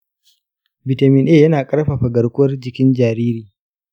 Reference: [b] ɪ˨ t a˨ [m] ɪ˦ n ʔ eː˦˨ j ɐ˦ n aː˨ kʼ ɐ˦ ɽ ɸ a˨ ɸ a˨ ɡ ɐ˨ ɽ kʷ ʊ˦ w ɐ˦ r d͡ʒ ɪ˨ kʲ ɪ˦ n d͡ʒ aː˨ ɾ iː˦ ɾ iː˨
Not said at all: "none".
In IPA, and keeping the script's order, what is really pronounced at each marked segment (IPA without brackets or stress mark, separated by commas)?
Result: b, m